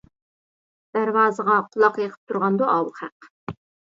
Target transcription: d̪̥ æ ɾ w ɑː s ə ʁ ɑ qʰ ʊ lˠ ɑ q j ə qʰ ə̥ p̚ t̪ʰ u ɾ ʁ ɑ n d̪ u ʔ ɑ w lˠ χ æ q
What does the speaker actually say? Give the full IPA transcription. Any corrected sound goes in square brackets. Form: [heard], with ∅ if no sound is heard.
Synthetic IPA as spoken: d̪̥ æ ɾ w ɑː [z] ə ʁ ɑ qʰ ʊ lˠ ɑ q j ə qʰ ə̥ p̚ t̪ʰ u ɾ ʁ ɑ n d̪ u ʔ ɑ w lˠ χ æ q

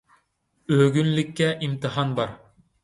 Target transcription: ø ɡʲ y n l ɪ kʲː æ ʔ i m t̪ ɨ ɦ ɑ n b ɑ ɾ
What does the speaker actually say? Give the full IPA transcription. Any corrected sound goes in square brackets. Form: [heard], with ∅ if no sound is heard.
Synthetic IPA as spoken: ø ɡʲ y n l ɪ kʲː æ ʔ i m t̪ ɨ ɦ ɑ n b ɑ ɾ

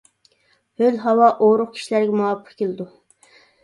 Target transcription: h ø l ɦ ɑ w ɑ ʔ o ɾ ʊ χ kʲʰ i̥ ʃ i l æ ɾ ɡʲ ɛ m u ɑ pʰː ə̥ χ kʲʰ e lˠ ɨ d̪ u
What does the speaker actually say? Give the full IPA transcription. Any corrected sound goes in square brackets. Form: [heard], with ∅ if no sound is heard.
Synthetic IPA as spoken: h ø l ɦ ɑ w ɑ ʔ o ɾ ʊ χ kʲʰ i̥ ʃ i l æ ɾ ɡʲ ɛ m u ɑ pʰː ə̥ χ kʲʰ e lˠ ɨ d̪ u

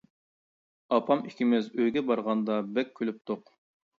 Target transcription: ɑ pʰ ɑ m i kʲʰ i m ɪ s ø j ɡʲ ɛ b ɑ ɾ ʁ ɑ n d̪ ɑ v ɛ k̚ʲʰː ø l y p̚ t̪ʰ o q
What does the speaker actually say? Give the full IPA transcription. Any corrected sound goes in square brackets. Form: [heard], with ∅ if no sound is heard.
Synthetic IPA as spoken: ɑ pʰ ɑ m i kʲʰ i m ɪ [z] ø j ɡʲ ɛ b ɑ ɾ ʁ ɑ n d̪ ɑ [b] ɛ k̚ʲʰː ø l y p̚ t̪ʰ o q

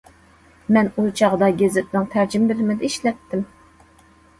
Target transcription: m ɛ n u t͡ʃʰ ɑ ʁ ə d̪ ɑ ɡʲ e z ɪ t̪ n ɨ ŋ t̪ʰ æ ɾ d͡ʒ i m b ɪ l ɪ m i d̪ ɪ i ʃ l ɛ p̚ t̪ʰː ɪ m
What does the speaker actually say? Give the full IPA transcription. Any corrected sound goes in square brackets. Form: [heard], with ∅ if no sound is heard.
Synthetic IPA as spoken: m ɛ n u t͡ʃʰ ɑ ʁ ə d̪ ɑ ɡʲ e z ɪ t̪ n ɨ ŋ t̪ʰ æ ɾ d͡ʒ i m b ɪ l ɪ m [ɪ] d̪ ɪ i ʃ l ɛ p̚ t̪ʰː ɪ m

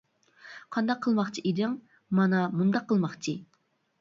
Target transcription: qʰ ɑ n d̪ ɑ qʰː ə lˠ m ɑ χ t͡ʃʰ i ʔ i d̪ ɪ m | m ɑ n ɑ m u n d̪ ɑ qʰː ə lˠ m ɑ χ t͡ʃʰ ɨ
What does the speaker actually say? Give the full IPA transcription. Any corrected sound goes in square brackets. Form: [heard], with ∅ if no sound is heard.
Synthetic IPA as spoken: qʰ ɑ n d̪ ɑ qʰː ə lˠ m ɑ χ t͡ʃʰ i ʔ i d̪ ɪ [ŋ] | m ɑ n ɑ m u n d̪ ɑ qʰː ə lˠ m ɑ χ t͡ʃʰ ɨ

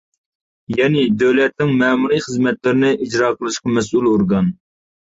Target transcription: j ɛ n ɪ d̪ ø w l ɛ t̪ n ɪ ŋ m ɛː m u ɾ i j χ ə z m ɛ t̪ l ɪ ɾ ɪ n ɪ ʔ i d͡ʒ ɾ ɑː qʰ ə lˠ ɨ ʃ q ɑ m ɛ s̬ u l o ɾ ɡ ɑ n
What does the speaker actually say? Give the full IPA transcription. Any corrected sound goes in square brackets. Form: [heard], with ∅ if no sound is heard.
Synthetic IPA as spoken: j ɛ n ɪ d̪ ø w l ɛ t̪ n ɪ ŋ m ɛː m u ɾ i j χ ə z m ɛ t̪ l ɪ ɾ ɪ n ɪ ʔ i d͡ʒ ɾ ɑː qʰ ə lˠ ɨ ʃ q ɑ m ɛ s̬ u l o ɾ ɡ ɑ n

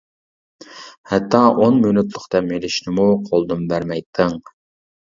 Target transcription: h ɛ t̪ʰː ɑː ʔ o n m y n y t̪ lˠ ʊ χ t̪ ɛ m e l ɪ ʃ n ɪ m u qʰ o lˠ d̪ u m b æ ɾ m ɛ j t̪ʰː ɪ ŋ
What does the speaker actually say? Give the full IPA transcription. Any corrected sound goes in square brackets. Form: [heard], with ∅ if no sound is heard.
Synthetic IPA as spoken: h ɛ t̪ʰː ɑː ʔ o n m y n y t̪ lˠ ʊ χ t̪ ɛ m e l ɪ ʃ n ɪ m u qʰ o lˠ d̪ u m b æ ɾ m ɛ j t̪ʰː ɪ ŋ

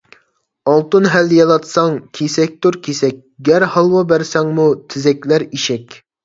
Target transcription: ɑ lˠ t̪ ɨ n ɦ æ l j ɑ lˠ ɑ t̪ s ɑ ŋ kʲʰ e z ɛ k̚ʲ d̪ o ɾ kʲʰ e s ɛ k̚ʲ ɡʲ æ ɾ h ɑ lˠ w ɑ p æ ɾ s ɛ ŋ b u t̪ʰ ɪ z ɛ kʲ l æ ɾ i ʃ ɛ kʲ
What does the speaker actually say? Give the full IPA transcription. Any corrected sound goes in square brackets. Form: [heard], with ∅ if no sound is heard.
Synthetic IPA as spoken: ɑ lˠ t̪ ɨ n ɦ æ l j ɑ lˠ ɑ t̪ s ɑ ŋ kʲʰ e [s] ɛ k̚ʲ [t̪] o ɾ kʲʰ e s ɛ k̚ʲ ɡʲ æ ɾ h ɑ lˠ w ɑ [b] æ ɾ s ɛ ŋ [m] u t̪ʰ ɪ z ɛ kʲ l æ ɾ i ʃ ɛ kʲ

